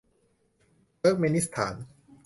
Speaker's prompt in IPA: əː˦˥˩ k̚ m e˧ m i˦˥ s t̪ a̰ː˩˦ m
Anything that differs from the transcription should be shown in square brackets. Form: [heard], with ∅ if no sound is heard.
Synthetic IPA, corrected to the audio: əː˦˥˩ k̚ m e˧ [n] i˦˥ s [t̪ʰ] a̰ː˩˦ [n]